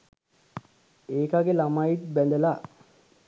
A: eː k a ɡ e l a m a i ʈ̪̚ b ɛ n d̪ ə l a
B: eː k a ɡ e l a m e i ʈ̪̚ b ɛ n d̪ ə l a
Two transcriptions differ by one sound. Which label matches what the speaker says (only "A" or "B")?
A